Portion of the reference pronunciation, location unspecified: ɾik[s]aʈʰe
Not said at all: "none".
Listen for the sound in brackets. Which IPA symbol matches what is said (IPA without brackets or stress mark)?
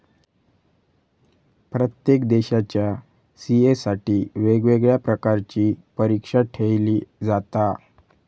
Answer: ʂ